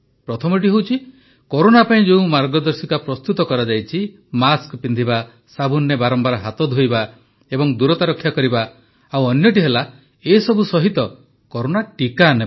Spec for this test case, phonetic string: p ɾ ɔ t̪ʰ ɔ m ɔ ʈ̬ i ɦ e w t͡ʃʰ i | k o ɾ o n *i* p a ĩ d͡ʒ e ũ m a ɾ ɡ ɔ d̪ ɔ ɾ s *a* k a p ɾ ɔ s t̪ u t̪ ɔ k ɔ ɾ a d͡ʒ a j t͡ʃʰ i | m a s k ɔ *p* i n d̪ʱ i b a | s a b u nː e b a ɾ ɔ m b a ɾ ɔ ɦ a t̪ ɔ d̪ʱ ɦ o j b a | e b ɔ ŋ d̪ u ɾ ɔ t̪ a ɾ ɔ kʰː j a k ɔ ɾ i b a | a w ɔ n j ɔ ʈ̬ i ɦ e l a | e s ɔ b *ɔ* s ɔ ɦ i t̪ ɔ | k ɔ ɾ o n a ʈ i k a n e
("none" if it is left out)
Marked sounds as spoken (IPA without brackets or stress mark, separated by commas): a, i, p, u